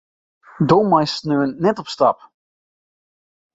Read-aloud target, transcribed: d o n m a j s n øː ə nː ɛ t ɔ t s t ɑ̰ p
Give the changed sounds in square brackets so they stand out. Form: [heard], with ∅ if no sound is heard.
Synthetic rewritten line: d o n m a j s n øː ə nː ɛ t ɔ [p] s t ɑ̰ p